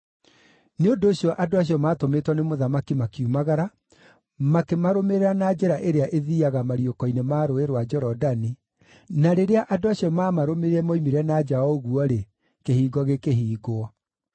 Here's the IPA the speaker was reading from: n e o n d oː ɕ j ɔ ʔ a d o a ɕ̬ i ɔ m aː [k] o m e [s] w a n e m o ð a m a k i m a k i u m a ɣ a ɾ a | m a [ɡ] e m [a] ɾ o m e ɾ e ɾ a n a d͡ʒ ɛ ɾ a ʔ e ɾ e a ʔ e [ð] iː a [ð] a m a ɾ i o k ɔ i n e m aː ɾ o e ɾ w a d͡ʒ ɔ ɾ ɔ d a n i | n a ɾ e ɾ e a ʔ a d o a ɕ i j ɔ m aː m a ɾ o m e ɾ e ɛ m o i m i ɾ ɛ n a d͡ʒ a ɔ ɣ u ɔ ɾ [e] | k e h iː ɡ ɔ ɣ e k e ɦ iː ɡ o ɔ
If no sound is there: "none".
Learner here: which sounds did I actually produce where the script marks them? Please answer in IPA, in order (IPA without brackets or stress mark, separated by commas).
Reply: t, t, k, a, ð, ɣ, e